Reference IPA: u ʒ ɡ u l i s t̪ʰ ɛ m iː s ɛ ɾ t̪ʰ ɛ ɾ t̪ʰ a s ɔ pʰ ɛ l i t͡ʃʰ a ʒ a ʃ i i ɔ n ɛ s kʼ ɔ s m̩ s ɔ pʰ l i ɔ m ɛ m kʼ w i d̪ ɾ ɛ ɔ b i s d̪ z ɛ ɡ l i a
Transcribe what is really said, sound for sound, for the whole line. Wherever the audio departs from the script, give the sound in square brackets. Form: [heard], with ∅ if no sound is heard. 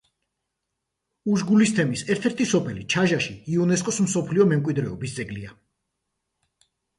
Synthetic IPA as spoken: u ʒ ɡ u l i s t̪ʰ ɛ m [i] s ɛ ɾ t̪ʰ ɛ ɾ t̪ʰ [i] s ɔ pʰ ɛ l i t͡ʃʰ a ʒ a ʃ i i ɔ n ɛ s kʼ ɔ s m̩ s ɔ pʰ l i ɔ m ɛ m kʼ w i d̪ ɾ ɛ ɔ b i s d̪ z ɛ ɡ l i a

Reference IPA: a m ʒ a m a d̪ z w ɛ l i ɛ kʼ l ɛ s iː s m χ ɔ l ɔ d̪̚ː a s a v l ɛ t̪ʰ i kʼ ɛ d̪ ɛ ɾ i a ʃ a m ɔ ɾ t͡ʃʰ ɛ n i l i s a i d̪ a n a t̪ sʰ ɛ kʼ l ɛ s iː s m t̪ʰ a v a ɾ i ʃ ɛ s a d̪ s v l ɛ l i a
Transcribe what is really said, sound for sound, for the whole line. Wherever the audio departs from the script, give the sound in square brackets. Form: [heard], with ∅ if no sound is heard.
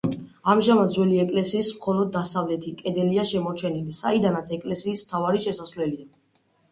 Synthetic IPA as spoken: a m ʒ a m a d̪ z w ɛ l i ɛ kʼ l ɛ s iː s m χ ɔ l ɔ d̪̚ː a s a v l ɛ t̪ʰ i kʼ ɛ d̪ ɛ [l] i a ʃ [ɛ] m ɔ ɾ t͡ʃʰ ɛ n i l i s a i d̪ a n a t̪ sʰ ɛ kʼ l ɛ s iː s m t̪ʰ a v a ɾ i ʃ ɛ s a [∅] s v l ɛ l i a

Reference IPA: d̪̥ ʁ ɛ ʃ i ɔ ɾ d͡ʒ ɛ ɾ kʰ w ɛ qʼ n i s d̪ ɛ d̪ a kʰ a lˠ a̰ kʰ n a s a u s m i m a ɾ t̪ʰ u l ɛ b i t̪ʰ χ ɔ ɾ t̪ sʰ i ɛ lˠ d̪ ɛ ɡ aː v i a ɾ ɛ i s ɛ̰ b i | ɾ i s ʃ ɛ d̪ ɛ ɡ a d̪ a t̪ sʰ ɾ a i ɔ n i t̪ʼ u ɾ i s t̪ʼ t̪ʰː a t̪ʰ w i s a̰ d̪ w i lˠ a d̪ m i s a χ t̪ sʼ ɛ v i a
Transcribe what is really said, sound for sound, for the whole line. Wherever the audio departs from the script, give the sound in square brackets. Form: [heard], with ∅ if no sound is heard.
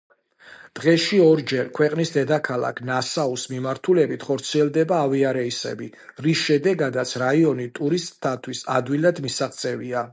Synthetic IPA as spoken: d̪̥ ʁ ɛ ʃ i ɔ ɾ d͡ʒ ɛ ɾ kʰ w ɛ qʼ n i s d̪ ɛ d̪ a kʰ a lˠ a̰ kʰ n a s a u s m i m a ɾ t̪ʰ u l ɛ b i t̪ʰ χ ɔ ɾ t̪ sʰ i ɛ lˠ d̪ ɛ [b] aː v i a ɾ ɛ i s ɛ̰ b i | ɾ i s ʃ ɛ d̪ ɛ ɡ a d̪ a t̪ sʰ ɾ a i ɔ n i t̪ʼ u ɾ i s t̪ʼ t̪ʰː a t̪ʰ w i s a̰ d̪ w i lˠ a d̪ m i s a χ t̪ sʼ ɛ v i a

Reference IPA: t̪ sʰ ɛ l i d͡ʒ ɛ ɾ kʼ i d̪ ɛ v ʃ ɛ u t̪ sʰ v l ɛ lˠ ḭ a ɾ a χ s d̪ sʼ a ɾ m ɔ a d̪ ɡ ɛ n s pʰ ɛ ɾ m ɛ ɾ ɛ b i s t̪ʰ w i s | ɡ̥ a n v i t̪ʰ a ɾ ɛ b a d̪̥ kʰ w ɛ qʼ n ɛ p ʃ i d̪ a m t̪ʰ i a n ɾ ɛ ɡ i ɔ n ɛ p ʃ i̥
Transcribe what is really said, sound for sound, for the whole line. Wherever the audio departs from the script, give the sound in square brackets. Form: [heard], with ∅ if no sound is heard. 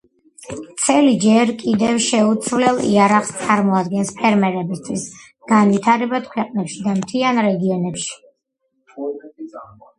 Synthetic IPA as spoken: t̪ sʰ ɛ l i d͡ʒ ɛ ɾ kʼ i d̪ ɛ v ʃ ɛ u t̪ sʰ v l ɛ lˠ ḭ a ɾ a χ s [t̪] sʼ a ɾ m ɔ a d̪ ɡ ɛ n s pʰ ɛ ɾ m ɛ ɾ ɛ b i s t̪ʰ w i s | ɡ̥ a n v i t̪ʰ a ɾ ɛ b a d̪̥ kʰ w ɛ qʼ n ɛ p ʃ i d̪ a m t̪ʰ i a n ɾ ɛ ɡ i ɔ n ɛ p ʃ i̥

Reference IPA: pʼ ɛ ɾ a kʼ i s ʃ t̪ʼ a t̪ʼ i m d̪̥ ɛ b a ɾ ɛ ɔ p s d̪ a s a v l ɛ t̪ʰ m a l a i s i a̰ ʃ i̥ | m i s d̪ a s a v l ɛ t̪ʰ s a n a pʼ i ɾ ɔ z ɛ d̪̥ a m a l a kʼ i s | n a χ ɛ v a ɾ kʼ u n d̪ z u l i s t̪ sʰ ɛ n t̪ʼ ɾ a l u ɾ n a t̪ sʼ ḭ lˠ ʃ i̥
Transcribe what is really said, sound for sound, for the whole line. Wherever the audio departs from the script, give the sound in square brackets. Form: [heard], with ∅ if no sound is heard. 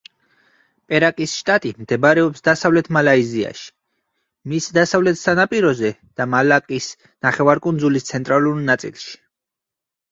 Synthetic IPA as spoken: pʼ ɛ ɾ a kʼ i s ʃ t̪ʼ a t̪ʼ i m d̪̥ ɛ b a ɾ ɛ ɔ p s d̪ a s a v l ɛ t̪ʰ m a l a i [z] i a̰ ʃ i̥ | m i s d̪ a s a v l ɛ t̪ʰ s a n a pʼ i ɾ ɔ z ɛ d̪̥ a m a l a kʼ i s | n a χ ɛ v a ɾ kʼ u n d̪ z u l i s t̪ sʰ ɛ n t̪ʼ ɾ a l u ɾ n a t̪ sʼ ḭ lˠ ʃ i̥

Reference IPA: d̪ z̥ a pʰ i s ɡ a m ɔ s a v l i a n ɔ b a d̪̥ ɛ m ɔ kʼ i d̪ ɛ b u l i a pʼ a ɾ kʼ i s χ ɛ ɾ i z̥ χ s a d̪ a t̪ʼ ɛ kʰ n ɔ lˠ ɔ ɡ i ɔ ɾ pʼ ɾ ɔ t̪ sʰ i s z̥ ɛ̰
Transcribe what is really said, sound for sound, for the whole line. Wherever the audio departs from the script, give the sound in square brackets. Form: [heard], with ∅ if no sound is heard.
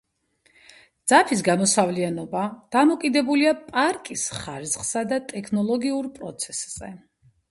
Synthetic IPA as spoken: d̪ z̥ a pʰ i s ɡ a m ɔ s a v l i a n ɔ b a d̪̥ [a] m ɔ kʼ i d̪ ɛ b u l i a pʼ a ɾ kʼ i s χ [a] ɾ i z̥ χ s a d̪ a t̪ʼ ɛ kʰ n ɔ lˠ ɔ ɡ i [u] ɾ pʼ ɾ ɔ t̪ sʰ [ɛ] s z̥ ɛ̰

